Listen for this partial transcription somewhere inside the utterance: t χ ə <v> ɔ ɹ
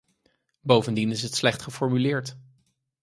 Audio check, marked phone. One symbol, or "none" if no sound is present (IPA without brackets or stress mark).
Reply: f